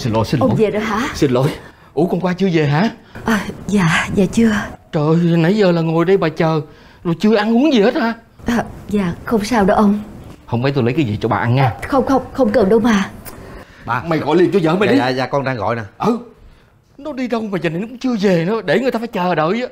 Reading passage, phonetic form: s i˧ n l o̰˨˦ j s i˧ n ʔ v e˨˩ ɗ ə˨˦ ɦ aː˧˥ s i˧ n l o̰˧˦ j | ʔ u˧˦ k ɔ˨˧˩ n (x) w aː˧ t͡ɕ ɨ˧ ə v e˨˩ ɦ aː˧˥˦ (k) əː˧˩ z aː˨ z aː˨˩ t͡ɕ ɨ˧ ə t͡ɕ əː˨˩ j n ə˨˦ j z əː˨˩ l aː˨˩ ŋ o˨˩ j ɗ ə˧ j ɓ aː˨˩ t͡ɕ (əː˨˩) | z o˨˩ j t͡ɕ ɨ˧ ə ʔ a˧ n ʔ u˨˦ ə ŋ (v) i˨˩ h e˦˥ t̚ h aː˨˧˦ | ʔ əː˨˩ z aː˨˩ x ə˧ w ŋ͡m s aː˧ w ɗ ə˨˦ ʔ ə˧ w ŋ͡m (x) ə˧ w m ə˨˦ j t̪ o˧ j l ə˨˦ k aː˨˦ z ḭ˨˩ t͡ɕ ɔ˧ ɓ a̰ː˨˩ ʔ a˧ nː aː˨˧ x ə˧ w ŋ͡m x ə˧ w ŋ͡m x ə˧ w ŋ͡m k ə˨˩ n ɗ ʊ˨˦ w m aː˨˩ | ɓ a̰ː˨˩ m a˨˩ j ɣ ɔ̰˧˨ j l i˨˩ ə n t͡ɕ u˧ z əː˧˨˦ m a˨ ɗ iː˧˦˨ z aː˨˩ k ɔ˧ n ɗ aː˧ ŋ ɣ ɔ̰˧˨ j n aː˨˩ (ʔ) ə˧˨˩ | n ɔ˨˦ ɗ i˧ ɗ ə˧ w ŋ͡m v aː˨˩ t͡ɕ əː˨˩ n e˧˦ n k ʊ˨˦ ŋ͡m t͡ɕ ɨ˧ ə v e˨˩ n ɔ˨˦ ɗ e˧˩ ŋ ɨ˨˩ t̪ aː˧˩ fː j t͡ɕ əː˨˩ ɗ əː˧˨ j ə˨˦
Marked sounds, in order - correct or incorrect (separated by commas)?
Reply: incorrect, incorrect, correct, incorrect, incorrect, correct